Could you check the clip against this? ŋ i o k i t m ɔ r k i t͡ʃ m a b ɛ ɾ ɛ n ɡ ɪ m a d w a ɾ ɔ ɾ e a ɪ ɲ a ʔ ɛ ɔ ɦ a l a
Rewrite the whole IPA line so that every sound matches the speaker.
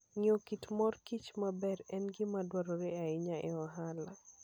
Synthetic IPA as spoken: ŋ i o k i t m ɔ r k i t͡ʃ m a b ɛ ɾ ɛ n ɡ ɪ m a d w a ɾ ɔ ɾ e a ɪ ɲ a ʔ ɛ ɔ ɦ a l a